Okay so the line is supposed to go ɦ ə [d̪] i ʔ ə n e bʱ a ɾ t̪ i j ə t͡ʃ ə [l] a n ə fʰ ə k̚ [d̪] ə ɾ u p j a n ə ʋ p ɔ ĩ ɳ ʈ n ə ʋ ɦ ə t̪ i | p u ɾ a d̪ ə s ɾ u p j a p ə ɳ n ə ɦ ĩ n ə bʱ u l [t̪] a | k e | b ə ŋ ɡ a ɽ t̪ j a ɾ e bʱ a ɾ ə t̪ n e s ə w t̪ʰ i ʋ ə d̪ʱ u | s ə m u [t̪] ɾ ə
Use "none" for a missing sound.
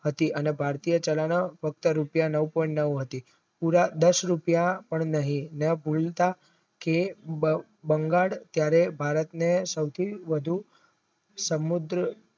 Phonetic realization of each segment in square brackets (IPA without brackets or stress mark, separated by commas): t̪, l, t̪, t̪, d̪